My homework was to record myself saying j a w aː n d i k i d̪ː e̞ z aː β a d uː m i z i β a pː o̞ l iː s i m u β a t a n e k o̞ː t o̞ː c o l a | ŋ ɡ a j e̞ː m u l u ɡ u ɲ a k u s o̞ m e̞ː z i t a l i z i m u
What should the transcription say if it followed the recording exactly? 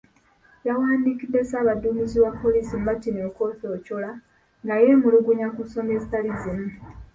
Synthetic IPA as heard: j a w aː n d i k i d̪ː e̞ s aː β a d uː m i z i w a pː o̞ l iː s i m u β a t i n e k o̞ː t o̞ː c o l a | ŋ ɡ a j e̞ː m u l u ɡ u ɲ a k u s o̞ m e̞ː z i t a l i z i m u